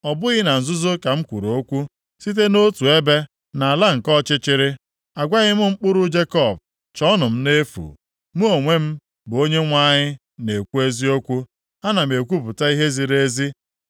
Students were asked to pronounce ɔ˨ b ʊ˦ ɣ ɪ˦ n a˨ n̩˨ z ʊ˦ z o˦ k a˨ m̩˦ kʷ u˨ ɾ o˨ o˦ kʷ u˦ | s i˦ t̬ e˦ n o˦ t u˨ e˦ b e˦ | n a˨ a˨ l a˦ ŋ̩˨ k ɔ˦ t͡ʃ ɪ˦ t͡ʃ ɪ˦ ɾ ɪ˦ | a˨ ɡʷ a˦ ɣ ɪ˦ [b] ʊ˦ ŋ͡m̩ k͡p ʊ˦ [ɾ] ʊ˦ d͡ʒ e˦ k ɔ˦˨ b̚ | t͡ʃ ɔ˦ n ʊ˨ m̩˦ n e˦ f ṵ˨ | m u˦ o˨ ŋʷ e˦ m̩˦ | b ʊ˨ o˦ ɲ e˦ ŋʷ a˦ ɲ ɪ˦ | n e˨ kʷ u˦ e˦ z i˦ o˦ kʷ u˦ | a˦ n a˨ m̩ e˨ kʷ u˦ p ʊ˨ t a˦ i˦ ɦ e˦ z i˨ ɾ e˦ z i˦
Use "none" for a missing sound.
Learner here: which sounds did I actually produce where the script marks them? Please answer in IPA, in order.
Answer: m, ɾ

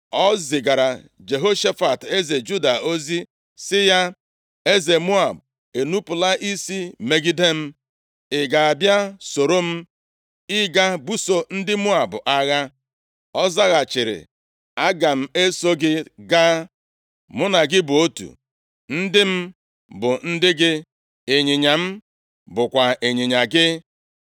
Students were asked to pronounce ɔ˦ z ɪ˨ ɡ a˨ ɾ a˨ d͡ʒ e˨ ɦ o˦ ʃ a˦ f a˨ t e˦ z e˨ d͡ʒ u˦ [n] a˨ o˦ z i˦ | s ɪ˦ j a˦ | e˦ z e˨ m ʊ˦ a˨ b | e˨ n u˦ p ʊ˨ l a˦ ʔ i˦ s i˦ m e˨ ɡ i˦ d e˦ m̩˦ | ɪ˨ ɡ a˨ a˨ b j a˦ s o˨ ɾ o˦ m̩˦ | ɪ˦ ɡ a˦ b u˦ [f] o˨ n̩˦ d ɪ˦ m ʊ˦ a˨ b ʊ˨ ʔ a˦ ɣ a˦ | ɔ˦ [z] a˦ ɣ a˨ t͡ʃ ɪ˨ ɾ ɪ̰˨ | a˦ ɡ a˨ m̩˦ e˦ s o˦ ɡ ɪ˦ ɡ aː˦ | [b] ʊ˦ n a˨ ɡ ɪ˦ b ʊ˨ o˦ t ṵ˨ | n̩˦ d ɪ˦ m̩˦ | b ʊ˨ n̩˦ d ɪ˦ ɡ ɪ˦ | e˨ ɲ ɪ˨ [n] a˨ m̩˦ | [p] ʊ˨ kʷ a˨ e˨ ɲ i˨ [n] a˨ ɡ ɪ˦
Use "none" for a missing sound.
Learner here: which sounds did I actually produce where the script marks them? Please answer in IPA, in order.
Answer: d, s, z, m, ɲ, b, ɲ

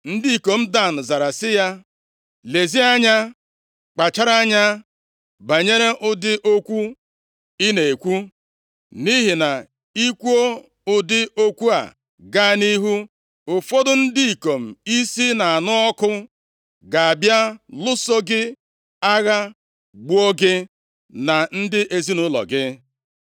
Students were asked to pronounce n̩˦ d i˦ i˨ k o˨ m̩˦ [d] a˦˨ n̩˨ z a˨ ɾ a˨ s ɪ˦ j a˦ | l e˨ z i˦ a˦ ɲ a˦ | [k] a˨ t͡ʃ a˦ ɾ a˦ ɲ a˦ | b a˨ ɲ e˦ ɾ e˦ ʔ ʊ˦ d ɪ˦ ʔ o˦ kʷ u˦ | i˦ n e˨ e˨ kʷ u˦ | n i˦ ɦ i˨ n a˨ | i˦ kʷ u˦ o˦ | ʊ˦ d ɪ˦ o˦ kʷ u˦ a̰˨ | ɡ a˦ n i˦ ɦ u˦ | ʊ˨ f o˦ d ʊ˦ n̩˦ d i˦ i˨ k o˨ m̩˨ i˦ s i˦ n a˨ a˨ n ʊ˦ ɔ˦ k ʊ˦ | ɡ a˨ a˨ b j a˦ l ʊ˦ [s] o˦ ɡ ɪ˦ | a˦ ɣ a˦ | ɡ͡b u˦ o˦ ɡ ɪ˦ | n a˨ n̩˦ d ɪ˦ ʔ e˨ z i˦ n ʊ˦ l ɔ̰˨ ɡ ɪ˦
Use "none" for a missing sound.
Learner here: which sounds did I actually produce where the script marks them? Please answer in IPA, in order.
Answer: d, k͡p, s

